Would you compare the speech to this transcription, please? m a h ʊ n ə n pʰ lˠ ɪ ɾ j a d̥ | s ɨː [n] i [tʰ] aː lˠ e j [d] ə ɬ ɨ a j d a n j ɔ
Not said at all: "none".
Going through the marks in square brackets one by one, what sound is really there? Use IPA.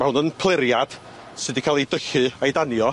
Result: d, kʰ, d

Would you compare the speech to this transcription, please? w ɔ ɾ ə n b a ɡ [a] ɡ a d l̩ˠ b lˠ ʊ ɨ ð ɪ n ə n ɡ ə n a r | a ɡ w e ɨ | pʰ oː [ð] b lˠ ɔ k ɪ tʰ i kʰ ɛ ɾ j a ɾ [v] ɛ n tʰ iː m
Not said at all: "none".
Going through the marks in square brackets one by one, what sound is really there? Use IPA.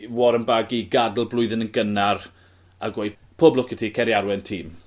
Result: i, none, w

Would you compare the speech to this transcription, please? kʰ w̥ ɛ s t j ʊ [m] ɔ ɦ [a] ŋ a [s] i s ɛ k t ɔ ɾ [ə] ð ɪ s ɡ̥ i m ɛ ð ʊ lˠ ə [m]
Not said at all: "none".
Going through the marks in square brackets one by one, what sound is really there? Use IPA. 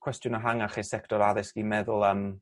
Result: n, a, χ, a, m

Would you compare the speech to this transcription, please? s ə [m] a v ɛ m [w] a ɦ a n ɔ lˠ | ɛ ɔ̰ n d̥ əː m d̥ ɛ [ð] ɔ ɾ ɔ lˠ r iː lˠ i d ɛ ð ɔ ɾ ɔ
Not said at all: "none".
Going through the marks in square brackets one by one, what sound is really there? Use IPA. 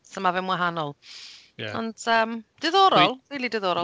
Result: m, w, ð

